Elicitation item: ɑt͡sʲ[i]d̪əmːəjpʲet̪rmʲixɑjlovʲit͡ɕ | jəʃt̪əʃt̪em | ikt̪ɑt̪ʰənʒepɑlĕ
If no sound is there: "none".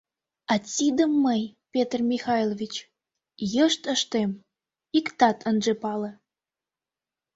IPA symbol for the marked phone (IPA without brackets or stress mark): i